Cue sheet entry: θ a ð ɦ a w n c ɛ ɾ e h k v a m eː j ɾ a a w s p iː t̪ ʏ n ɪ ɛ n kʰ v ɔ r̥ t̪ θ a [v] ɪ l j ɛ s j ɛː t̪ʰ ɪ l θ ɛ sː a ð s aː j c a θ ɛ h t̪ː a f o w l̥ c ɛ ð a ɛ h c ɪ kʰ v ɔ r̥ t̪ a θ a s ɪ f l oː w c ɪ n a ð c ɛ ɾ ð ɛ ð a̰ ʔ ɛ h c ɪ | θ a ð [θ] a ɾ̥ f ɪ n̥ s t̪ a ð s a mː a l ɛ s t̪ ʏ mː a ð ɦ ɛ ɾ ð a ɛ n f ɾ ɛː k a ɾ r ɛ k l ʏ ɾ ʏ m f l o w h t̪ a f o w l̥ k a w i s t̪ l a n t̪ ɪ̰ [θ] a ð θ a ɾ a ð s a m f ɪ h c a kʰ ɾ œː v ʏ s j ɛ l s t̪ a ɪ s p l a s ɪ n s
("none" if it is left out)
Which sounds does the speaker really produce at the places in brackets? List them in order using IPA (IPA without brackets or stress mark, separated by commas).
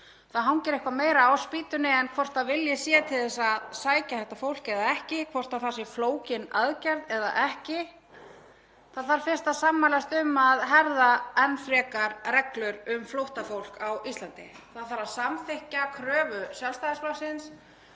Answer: v, θ, θ